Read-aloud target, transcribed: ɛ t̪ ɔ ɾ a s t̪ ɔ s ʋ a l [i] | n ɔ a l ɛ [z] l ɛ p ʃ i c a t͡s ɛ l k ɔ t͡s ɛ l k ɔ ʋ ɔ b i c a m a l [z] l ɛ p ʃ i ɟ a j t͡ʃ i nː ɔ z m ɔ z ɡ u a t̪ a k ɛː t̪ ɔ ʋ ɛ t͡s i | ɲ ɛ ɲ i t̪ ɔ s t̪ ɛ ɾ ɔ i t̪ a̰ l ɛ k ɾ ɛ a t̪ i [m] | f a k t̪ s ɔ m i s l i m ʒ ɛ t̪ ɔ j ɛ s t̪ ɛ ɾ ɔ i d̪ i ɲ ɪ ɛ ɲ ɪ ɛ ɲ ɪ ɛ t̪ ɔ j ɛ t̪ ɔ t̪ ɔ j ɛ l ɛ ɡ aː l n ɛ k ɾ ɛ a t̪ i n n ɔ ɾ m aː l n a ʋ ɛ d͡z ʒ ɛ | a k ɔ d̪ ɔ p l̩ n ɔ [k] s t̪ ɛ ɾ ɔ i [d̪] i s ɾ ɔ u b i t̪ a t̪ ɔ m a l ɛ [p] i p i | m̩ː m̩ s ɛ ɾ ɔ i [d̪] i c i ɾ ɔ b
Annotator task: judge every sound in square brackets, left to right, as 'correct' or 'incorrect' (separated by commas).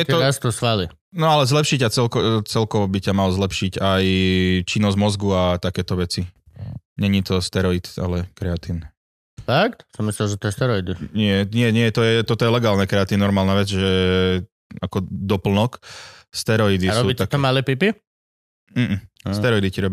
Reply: correct, correct, correct, incorrect, correct, correct, correct, correct